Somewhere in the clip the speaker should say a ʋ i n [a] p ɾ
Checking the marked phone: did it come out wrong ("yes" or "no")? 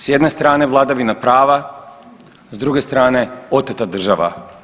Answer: no